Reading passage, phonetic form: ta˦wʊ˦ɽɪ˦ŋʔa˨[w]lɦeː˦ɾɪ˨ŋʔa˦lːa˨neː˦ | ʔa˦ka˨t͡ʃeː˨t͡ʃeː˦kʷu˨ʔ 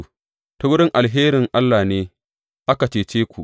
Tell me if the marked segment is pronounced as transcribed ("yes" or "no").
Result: no